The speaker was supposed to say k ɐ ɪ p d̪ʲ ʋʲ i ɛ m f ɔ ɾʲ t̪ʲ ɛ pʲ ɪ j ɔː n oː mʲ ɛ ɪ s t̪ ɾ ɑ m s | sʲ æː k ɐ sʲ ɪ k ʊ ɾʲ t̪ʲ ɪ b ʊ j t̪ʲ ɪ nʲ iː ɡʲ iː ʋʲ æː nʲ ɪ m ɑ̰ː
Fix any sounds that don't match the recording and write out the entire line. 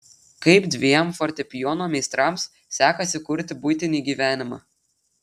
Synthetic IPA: k ɐ ɪ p d̪ʲ ʋʲ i ɛ m f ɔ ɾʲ t̪ʲ ɛ pʲ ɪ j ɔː n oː mʲ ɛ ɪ s t̪ ɾ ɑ m s | sʲ æː k ɐ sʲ ɪ k ʊ ɾʲ t̪ʲ ɪ b ʊ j t̪ʲ ɪ nʲ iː ɡʲ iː ʋʲ æː nʲ ɪ m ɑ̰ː